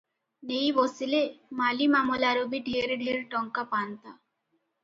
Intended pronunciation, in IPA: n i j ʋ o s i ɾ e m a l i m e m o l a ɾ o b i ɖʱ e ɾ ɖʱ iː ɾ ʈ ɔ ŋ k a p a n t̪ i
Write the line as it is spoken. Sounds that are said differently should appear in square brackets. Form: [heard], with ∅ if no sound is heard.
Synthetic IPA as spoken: n [e] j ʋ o s i [l] e m a l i m [a] m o l a ɾ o b i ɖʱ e ɾ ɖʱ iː ɾ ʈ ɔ ŋ k a p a n t̪ [a]